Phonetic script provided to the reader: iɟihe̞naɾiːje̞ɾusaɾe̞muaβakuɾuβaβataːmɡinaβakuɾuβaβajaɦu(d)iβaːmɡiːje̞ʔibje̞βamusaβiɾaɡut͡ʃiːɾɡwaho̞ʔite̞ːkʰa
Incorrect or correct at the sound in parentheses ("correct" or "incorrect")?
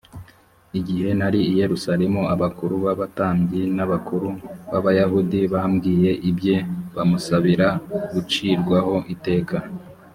correct